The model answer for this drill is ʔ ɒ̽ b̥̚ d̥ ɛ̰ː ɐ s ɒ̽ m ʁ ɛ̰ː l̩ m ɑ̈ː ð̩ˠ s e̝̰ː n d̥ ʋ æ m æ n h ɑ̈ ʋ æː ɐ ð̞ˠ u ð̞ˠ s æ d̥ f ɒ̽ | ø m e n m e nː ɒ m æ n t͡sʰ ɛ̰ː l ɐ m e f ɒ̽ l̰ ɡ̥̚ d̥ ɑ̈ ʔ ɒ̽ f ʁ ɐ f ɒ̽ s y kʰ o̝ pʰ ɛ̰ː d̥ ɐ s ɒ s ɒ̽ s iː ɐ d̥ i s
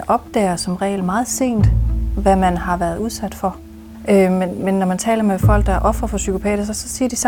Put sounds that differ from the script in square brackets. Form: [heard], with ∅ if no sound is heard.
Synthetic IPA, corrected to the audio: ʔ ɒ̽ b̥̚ d̥ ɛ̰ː ɐ s ɒ̽ m ʁ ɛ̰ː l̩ m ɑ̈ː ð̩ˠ s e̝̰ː n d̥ ʋ æ m æ n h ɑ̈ ʋ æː ɐ ð̞ˠ u ð̞ˠ s æ d̥ f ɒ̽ | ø m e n m e nː ɒ m æ n t͡sʰ ɛ̰ː l ɐ m e f ɒ̽ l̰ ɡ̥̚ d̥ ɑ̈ ʔ ɒ̽ f ʁ ɐ f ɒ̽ s y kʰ o̝ pʰ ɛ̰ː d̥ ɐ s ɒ s ɒ̽ s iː ɐ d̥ i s